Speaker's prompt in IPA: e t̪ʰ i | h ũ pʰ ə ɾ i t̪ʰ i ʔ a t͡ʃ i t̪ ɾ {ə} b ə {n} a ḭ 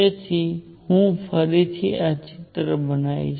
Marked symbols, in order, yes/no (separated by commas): yes, yes